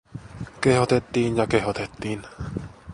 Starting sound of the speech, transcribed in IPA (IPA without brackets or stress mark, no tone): k